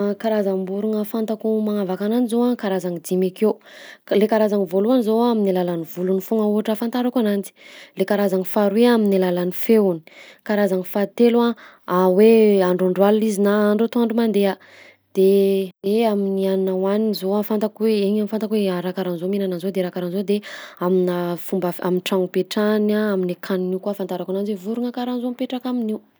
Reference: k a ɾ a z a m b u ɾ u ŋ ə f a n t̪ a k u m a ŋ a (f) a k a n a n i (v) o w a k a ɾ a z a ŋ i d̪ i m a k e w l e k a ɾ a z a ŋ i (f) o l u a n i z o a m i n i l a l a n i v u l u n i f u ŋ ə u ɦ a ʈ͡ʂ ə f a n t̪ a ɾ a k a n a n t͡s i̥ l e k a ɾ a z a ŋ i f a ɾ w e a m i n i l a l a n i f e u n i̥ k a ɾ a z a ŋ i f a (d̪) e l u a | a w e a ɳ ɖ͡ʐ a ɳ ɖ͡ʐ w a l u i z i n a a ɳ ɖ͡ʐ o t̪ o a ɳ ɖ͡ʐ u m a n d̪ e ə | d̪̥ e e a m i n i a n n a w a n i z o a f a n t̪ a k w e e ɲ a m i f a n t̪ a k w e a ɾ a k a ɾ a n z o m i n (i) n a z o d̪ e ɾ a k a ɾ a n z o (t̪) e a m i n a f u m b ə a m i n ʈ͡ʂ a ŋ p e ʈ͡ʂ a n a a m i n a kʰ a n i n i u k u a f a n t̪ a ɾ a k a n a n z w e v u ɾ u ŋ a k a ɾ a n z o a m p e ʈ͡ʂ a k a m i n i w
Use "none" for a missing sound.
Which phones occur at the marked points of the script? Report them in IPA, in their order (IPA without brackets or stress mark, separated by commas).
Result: v, z, v, t̪, a, d̪